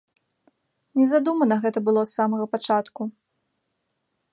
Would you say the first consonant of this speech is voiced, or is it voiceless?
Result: voiced